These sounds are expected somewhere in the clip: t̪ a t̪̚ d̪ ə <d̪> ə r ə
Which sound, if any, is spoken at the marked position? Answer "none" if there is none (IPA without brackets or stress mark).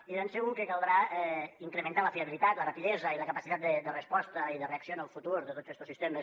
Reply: d̪